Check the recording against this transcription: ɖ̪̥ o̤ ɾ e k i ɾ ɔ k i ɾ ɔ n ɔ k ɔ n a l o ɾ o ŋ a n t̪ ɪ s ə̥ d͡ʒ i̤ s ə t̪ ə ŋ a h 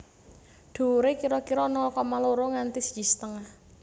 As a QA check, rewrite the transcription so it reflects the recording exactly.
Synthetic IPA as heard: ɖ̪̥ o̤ ɾ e k i ɾ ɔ k i ɾ ɔ n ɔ k ɔ m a l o ɾ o ŋ a n t̪ i s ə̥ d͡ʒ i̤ s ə t̪ ə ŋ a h